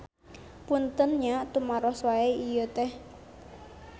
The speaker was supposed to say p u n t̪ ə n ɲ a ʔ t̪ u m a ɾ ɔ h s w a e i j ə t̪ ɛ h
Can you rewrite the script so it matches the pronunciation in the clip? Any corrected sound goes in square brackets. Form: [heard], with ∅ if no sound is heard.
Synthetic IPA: p u n t̪ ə n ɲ a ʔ t̪ u m a ɾ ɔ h s w a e i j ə t̪ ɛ h